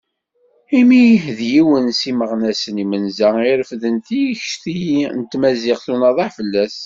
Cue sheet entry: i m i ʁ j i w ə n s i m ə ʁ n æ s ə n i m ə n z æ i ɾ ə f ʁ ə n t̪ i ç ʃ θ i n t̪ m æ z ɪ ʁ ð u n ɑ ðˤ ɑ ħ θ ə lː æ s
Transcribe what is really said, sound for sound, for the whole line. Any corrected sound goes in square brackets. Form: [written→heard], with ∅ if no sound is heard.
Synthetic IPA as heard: i m i [ʁ→ð] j i w ə n s i m ə ʁ n æ s ə n i m ə n z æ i ɾ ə f [ʁ→ð] ə n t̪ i ç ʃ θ i n t̪ m æ z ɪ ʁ [ð→θ] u n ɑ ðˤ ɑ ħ [θ→f] ə lː æ s